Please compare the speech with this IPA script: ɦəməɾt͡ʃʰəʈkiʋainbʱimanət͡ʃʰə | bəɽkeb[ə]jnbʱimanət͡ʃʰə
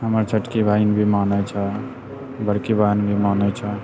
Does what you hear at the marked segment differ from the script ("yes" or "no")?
yes